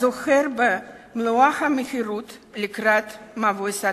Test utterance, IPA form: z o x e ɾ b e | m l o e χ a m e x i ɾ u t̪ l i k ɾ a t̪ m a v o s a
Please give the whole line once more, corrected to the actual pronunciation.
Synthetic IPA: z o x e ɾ b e | m l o a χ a m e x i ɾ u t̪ l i k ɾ a t̪ m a v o s a